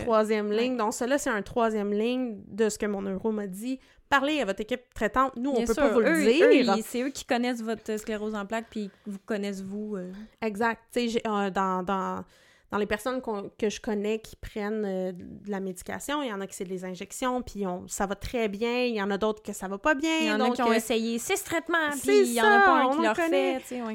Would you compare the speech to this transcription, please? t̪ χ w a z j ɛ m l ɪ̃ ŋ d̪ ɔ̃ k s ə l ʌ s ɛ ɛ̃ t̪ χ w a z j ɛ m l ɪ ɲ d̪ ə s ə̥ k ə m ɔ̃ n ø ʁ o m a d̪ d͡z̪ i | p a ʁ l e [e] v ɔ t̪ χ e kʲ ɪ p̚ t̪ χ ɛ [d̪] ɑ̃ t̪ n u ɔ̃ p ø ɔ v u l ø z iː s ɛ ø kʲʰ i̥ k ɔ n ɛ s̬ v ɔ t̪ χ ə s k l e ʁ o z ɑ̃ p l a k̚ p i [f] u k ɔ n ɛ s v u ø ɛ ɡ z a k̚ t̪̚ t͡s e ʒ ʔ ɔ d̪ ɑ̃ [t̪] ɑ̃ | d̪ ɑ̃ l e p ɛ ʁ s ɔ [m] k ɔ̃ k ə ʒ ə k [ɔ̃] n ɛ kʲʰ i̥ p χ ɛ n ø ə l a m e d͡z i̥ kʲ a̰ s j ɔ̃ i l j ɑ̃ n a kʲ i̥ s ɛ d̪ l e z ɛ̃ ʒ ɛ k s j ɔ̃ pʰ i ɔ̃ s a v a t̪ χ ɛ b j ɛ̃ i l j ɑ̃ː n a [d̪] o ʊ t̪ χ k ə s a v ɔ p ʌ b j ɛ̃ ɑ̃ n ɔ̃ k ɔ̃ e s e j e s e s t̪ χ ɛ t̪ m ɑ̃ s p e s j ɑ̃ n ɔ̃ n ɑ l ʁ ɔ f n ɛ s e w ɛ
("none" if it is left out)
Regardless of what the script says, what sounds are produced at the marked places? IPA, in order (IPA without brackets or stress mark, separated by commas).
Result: a, t̪, v, d̪, n, ɔ, d̪